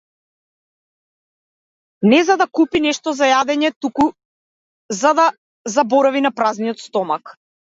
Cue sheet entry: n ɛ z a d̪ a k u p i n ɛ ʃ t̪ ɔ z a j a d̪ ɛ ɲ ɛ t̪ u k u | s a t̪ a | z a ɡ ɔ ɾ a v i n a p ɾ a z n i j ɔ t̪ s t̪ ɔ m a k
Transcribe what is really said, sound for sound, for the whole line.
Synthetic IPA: n ɛ z a d̪ a k u p i n ɛ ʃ t̪ ɔ z a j a d̪ ɛ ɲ ɛ t̪ u k u | z a d̪ a | z a b ɔ ɾ a v i n a p ɾ a z n i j ɔ t̪ s t̪ ɔ m a k